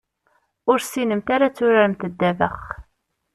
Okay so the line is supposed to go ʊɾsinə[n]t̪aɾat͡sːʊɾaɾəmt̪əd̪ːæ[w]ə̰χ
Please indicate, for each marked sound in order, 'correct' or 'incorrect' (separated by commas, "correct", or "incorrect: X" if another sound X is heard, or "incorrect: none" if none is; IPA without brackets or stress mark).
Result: incorrect: m, incorrect: v